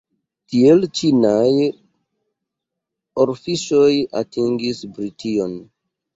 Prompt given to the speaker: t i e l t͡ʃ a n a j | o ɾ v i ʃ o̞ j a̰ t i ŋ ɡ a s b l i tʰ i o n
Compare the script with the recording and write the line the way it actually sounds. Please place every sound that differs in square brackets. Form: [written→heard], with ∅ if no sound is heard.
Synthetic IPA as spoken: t i e l t͡ʃ [a→i] n a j | o ɾ [v→f] i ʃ o̞ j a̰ t i ŋ ɡ [a→i] s b [l→ɾ] i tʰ i o n